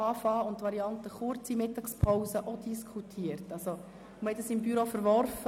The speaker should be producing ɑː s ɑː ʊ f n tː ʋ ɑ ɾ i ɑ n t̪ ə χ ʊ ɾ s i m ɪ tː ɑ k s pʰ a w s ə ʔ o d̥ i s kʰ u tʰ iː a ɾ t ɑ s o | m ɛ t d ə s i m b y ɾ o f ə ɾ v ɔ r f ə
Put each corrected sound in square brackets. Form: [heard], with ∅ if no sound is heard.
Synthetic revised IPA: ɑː [f] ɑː ʊ [∅] n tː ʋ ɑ ɾ i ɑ n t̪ ə χ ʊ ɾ [t͡s] i m ɪ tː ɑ k s pʰ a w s ə ʔ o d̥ i s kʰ u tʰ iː [ə] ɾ t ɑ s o | m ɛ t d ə s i m b y ɾ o f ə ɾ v ɔ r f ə